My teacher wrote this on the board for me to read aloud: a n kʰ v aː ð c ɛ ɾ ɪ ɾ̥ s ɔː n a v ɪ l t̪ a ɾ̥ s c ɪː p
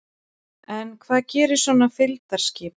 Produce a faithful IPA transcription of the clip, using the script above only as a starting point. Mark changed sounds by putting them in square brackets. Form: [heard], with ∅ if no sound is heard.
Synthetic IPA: [ɛ] n kʰ v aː ð c [ɛː] ɾ ɪ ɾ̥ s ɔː n a [f] ɪ l t̪ a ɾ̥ s c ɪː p